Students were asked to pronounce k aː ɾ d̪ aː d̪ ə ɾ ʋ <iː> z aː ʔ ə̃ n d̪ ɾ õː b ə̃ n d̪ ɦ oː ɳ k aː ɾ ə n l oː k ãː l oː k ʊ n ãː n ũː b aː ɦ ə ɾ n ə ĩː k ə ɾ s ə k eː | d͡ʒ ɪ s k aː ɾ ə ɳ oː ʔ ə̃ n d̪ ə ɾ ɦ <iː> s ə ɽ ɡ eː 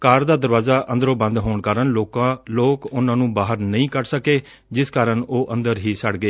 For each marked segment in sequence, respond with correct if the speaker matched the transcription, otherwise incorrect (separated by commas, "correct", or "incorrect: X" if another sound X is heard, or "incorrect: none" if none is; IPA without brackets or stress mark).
incorrect: aː, correct